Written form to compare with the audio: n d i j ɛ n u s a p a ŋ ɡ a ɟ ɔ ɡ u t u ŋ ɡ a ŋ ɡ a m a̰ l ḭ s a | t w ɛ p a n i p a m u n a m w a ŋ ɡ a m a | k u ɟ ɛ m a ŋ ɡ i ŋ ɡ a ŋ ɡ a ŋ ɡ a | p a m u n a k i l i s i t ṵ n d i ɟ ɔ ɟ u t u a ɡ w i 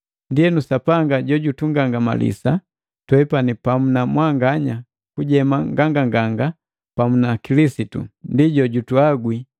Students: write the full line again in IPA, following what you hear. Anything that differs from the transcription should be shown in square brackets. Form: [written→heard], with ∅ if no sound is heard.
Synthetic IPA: n d i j ɛ n u s a p a ŋ ɡ a ɟ ɔ [ɡ→ɟ] u t u ŋ ɡ a ŋ ɡ a m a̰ l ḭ s a | t w ɛ p a n i p a m u n a m w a ŋ ɡ a [m→ɲ] a | k u ɟ ɛ m a ŋ ɡ [i→a] ŋ ɡ a ŋ ɡ a ŋ ɡ a | p a m u n a k i l i s i t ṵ n d i ɟ ɔ ɟ u t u a ɡ w i